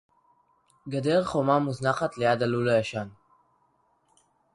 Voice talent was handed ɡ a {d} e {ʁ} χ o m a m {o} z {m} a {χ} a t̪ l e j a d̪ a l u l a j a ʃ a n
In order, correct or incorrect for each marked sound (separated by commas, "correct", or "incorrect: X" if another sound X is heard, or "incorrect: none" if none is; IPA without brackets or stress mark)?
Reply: correct, correct, incorrect: u, incorrect: n, correct